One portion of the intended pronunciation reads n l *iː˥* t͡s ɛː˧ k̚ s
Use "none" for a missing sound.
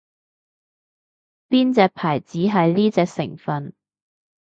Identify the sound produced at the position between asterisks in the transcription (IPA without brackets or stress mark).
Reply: iː˥